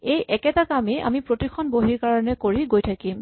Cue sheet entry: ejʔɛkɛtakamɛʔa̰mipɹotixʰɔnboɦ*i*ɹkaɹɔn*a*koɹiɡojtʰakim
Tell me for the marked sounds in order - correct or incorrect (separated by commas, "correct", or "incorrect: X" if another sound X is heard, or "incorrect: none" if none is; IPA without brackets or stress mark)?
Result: correct, incorrect: ɛ